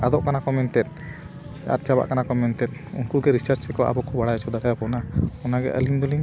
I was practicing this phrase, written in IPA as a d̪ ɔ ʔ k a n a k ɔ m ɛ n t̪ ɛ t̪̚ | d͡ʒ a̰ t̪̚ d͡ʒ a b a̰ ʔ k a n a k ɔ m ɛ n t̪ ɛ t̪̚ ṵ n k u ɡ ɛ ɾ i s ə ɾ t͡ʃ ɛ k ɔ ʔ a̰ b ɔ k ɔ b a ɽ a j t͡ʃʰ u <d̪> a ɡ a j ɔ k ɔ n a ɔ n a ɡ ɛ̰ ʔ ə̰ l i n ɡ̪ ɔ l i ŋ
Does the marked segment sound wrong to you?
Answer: no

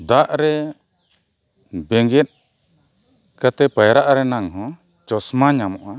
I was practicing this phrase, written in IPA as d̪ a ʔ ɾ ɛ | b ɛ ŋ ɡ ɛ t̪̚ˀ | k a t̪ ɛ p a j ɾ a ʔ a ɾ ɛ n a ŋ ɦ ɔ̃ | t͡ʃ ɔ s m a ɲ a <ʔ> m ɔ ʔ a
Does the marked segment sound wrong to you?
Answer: yes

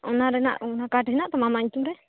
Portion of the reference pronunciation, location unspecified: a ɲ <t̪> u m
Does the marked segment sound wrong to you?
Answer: no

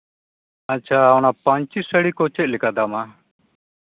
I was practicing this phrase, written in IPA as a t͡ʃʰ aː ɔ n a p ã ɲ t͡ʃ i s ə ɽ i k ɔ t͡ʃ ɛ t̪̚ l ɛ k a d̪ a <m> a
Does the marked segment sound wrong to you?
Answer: no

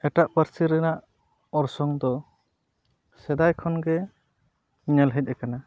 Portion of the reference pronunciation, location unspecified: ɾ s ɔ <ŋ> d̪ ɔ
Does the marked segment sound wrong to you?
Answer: no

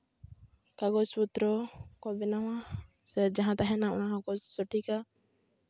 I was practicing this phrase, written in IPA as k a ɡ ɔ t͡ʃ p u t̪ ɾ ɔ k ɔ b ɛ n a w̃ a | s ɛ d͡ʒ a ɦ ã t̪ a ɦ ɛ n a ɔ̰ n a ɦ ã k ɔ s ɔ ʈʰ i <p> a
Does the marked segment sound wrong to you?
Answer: yes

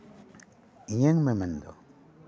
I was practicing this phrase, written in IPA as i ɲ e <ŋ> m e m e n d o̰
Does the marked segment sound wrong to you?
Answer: no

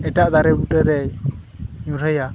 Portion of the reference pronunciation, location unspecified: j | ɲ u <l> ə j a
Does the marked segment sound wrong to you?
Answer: yes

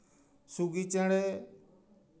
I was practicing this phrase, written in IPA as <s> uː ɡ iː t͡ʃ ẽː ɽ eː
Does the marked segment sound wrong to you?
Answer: no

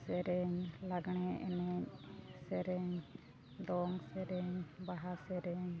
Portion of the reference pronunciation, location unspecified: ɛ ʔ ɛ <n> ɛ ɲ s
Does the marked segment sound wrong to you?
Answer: no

